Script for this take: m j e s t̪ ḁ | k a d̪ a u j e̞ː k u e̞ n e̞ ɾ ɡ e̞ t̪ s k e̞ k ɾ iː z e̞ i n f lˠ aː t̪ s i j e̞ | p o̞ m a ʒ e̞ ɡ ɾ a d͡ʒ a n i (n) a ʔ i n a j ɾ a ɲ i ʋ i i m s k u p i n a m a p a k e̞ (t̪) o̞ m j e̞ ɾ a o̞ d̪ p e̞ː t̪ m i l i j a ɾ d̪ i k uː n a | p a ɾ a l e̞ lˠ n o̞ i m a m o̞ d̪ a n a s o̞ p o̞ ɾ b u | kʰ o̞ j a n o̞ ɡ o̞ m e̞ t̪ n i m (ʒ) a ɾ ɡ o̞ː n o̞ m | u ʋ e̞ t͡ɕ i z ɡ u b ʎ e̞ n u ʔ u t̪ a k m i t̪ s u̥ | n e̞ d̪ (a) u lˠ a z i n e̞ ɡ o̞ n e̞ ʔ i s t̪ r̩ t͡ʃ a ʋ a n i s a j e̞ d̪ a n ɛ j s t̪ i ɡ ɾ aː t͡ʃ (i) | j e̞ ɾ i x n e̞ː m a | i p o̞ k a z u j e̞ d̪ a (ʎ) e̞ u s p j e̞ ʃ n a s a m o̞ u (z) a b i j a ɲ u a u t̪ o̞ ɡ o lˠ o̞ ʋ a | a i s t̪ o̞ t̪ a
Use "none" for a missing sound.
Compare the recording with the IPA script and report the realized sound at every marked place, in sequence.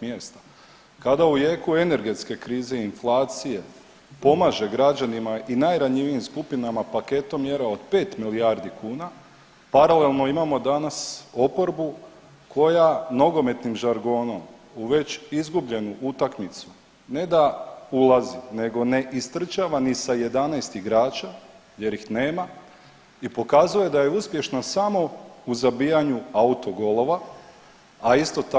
m, t̪, ʒ, a, a, j, z

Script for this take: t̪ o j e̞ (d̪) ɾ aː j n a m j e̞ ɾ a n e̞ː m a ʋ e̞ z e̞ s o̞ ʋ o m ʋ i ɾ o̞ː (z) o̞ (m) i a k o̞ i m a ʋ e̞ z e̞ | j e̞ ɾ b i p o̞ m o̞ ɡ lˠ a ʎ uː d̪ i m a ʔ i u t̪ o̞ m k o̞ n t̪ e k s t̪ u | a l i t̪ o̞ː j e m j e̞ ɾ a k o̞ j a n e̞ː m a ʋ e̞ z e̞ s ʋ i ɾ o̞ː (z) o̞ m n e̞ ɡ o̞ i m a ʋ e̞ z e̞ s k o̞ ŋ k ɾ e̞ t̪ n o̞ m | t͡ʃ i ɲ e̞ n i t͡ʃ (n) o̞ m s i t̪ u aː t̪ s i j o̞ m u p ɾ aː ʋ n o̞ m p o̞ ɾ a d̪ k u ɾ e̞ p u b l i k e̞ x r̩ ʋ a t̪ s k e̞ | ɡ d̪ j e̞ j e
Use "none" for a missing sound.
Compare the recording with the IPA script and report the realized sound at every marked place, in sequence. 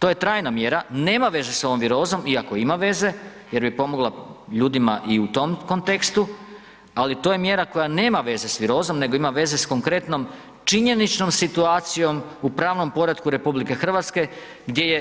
t̪, z, m, z, n

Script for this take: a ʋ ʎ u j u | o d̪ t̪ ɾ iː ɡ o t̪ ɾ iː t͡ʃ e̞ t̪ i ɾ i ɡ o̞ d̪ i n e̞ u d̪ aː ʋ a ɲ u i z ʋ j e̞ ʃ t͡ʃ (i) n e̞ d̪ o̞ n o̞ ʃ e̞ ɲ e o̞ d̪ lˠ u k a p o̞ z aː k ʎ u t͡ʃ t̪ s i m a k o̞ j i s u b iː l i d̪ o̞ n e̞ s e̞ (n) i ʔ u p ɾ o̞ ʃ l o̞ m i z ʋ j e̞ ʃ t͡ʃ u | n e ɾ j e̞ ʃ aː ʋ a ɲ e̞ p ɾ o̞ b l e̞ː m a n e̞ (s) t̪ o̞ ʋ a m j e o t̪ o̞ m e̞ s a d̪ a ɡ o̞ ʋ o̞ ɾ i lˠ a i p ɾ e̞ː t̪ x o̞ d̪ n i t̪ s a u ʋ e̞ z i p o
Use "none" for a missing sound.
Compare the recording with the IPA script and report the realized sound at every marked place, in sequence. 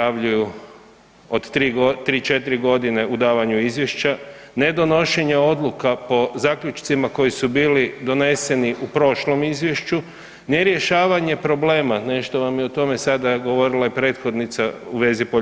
a, n, ʃ

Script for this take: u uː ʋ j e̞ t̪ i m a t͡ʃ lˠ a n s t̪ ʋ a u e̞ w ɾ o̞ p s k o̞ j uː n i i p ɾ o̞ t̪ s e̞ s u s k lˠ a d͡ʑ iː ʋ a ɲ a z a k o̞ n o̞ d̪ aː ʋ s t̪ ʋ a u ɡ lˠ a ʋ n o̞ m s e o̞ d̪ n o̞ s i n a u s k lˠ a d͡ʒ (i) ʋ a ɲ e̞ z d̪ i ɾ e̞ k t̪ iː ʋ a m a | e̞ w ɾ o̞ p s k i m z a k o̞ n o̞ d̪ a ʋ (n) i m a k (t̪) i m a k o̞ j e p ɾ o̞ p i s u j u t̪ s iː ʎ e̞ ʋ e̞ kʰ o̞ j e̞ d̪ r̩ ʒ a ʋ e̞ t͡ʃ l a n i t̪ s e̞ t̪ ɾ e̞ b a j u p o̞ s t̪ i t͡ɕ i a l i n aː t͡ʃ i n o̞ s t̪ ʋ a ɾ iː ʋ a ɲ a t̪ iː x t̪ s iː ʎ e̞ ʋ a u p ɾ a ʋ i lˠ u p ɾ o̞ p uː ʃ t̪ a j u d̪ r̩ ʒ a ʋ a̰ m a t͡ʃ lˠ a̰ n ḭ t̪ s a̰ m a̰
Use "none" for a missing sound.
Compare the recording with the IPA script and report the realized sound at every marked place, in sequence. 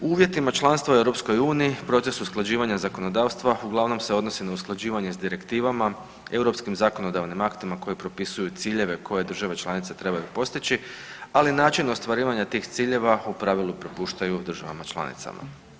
iː, n, t̪

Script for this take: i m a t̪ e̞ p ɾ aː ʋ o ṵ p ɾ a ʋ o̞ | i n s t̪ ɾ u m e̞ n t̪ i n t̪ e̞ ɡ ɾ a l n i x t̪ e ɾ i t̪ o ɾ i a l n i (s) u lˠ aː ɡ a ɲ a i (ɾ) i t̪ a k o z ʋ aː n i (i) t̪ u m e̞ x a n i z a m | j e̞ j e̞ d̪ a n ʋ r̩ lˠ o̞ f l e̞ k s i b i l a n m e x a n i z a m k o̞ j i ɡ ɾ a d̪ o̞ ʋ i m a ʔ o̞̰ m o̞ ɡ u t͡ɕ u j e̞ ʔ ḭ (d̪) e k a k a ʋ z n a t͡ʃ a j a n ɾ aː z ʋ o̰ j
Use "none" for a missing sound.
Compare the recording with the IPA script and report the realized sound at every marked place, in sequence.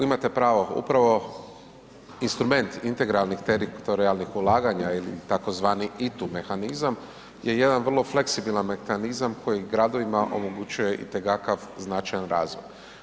x, l, i, t̪

